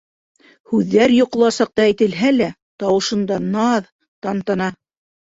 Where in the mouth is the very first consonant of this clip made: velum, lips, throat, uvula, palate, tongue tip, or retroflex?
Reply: throat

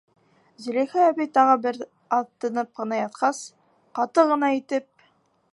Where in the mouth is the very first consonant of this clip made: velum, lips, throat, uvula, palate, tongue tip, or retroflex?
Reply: tongue tip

